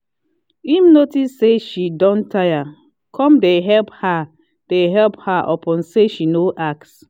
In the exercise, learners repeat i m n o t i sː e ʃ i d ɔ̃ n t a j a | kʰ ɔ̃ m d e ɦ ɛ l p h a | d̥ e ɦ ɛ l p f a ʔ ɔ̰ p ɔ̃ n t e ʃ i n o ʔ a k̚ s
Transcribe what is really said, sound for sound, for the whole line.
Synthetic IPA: i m n o t i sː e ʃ i d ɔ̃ n t a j a | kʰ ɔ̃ m d e ɦ ɛ l p h a | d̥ e ɦ ɛ l p h a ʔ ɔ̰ p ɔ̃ n s e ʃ i n o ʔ a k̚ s